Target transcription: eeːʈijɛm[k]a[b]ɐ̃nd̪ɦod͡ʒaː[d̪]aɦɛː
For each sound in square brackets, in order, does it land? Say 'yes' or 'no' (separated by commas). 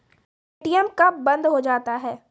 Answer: yes, yes, no